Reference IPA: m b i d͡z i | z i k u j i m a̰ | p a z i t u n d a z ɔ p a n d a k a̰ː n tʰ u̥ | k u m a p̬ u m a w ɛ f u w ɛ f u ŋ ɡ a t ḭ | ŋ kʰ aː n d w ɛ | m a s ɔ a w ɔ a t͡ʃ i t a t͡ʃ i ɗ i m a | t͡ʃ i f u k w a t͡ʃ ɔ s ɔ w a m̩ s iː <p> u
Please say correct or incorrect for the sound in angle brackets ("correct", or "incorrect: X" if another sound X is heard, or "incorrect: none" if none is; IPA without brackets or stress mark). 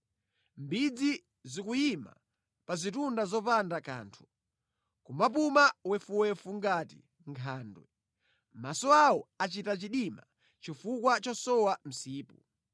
correct